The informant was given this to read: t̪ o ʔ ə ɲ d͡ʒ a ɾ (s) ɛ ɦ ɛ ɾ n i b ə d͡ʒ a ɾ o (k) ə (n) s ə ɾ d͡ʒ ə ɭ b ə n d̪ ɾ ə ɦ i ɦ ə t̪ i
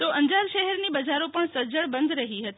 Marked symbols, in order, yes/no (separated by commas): no, no, no